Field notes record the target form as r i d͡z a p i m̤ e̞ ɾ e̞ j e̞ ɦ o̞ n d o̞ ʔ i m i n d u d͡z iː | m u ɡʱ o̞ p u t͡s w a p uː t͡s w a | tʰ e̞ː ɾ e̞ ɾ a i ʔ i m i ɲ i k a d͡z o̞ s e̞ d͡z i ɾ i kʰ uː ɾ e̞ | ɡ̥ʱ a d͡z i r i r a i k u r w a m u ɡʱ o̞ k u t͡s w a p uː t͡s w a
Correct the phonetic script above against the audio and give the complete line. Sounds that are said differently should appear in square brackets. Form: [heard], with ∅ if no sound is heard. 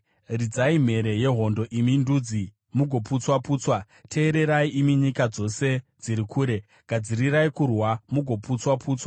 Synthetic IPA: r i d͡z a [∅] i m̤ e̞ ɾ e̞ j e̞ ɦ o̞ n d o̞ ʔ i m i n d u d͡z [i] | m u ɡʱ o̞ p u t͡s w a p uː t͡s w a | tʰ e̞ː ɾ e̞ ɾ a i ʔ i m i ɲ i k a d͡z o̞ s e̞ d͡z i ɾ i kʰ uː ɾ e̞ | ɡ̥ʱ a d͡z i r i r a i k u r w a m u ɡʱ o̞ [p] u t͡s w a p uː t͡s w a